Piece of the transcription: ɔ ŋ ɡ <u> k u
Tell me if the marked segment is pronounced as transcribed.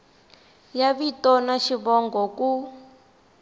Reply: no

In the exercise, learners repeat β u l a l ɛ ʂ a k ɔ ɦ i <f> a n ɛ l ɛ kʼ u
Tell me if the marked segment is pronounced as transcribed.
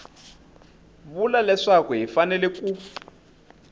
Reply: yes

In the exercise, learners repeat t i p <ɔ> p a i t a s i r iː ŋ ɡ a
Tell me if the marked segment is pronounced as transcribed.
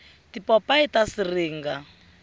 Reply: yes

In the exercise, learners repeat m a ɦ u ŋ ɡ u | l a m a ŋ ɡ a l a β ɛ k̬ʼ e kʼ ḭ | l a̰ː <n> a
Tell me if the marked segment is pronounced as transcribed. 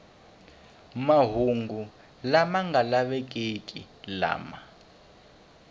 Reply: no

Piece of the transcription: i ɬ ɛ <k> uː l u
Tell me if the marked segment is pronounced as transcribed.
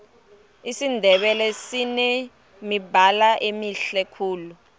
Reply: no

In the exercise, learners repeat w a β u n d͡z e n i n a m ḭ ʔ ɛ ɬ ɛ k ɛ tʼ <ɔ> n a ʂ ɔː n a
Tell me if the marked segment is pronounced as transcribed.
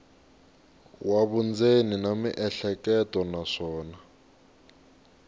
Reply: yes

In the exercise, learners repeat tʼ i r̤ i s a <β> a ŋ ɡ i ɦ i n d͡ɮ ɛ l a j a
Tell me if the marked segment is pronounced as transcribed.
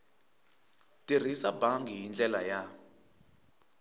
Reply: no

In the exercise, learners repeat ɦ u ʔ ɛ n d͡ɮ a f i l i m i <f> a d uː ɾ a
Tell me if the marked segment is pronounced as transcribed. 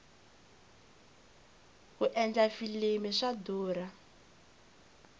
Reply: no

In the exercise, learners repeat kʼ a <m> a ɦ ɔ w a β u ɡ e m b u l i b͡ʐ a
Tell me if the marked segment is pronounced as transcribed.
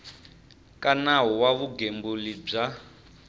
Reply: no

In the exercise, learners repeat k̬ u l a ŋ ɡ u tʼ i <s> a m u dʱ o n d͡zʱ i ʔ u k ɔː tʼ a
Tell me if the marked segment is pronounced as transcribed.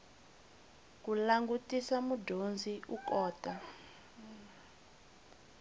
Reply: yes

